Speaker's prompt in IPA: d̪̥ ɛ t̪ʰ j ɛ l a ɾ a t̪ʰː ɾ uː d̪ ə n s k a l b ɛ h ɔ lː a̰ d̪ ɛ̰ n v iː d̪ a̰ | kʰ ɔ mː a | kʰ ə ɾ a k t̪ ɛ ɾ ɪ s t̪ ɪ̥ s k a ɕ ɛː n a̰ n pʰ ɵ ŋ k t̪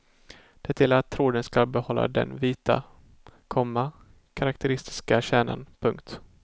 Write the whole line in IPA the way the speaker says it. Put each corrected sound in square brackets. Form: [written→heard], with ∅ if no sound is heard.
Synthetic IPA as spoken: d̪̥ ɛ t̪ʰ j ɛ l a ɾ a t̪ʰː ɾ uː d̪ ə n s k a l b ɛ h ɔ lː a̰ d̪ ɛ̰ n v iː [d̪→t̪] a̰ | kʰ ɔ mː a | kʰ [ə→a] ɾ a k t̪ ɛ ɾ ɪ s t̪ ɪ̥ s k a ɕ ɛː n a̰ n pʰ ɵ ŋ k t̪